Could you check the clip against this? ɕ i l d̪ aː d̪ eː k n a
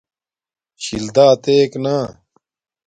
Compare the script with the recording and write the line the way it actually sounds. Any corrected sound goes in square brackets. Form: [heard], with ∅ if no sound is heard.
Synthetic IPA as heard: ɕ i l d̪ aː [t̪] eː k n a

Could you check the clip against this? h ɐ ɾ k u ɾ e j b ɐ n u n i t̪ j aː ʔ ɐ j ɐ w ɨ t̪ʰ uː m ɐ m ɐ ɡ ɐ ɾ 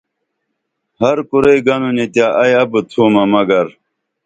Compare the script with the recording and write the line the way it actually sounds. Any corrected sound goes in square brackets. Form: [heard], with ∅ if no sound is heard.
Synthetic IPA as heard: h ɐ ɾ k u ɾ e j [ɡ] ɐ n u n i t̪ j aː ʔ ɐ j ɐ [b] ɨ t̪ʰ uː m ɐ m ɐ ɡ ɐ ɾ

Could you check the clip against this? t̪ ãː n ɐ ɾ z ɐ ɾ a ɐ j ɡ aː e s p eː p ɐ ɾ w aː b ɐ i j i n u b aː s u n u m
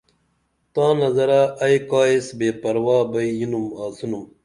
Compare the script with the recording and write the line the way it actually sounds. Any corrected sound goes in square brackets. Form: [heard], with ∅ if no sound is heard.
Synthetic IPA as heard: t̪ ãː n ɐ [∅] z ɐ ɾ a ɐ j [k] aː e s [b] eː p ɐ ɾ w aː b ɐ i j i n u [m] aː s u n u m

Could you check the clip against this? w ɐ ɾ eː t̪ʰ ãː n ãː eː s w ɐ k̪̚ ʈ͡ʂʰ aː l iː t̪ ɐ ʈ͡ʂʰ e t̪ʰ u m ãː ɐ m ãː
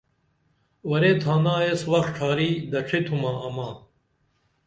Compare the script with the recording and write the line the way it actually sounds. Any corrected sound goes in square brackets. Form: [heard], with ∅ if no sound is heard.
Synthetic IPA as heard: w ɐ ɾ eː t̪ʰ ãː n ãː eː s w ɐ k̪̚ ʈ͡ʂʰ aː [ɾ] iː [d̪] ɐ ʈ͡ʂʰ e t̪ʰ u m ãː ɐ m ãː

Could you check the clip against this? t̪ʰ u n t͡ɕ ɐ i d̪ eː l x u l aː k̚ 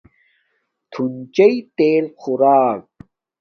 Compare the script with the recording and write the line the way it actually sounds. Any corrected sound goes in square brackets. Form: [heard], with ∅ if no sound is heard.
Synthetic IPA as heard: t̪ʰ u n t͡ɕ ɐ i [t̪] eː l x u [ɾ] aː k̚

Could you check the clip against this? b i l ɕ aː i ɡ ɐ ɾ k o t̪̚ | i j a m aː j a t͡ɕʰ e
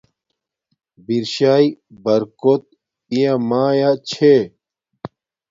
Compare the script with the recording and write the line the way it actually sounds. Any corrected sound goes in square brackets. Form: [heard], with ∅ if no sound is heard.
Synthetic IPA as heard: b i [ɾ] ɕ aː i [b] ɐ ɾ k o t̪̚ | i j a m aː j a t͡ɕʰ e

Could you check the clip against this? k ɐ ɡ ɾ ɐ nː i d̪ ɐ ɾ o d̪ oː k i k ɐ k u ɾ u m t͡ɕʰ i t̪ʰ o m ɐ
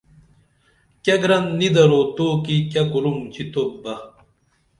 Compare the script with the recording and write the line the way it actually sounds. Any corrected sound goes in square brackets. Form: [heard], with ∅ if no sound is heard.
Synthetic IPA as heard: k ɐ ɡ ɾ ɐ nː i d̪ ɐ ɾ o [t̪] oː k i k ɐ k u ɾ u m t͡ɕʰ i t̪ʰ o [b] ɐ

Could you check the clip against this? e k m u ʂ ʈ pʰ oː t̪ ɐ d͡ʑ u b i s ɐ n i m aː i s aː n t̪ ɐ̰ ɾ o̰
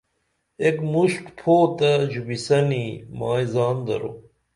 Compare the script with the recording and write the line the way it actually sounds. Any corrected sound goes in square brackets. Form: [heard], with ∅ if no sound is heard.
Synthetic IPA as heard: e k m u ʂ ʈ pʰ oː t̪ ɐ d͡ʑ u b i s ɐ n i m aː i [z] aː n [d̪] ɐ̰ ɾ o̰

